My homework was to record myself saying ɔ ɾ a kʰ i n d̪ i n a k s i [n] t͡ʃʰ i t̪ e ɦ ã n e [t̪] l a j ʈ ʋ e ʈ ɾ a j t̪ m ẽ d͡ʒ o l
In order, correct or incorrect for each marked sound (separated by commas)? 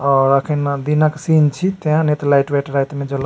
correct, correct